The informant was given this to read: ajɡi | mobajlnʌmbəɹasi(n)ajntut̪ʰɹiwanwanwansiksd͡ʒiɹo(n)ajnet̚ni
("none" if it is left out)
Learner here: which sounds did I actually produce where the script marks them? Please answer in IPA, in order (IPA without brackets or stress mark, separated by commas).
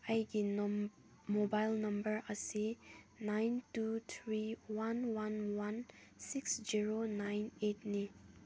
n, n